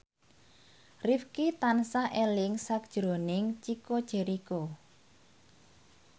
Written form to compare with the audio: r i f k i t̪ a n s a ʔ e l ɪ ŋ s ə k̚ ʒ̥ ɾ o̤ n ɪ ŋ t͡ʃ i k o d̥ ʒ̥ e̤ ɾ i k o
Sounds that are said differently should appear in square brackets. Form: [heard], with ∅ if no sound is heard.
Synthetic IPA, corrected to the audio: r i f k i t̪ a n s a ʔ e l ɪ ŋ s [a] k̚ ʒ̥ ɾ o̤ n ɪ ŋ t͡ʃ i k o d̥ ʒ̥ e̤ ɾ i k o

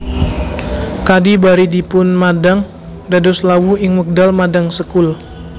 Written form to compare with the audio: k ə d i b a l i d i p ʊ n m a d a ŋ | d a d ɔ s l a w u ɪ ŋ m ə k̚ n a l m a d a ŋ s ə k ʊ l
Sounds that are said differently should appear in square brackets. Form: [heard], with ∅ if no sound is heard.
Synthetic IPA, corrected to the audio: k [a] d i b a [ɾ] i d i p ʊ n m a d a ŋ | d a d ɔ s l a w u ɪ ŋ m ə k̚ [d] a l m a d a ŋ s ə k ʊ l

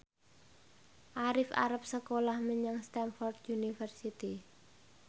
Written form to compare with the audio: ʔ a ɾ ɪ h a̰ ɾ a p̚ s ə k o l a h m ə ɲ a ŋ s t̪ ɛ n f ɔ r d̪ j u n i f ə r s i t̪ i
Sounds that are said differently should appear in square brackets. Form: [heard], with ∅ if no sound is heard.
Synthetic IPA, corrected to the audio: ʔ a ɾ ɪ [f] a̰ ɾ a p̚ s ə k o l a h m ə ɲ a ŋ s t̪ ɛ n f ɔ r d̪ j u n i f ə r s i t̪ i

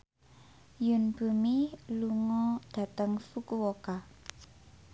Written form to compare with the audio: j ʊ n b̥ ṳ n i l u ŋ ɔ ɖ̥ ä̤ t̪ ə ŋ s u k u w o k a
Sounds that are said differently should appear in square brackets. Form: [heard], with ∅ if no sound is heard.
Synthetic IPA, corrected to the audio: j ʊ n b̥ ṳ [m] i l u ŋ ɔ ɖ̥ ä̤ t̪ ə ŋ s u k u w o k a

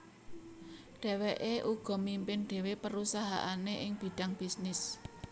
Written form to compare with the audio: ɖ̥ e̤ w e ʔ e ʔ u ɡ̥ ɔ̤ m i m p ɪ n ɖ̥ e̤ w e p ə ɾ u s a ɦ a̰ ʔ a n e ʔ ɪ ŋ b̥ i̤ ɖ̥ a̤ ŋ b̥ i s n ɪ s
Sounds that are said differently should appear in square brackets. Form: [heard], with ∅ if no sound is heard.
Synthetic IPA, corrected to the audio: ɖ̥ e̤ w e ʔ e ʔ u ɡ̥ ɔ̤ m i m p ɪ n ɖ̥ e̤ w e p ə ɾ u s a ɦ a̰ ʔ a n e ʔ ɪ ŋ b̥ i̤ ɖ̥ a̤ ŋ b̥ i s n ɪ s

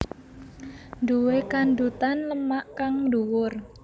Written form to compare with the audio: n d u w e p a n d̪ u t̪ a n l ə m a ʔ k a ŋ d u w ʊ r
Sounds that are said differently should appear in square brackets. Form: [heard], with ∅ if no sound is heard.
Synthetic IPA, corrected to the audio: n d u w e [k] a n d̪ u t̪ a n l ə m a ʔ k a ŋ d u w ʊ r

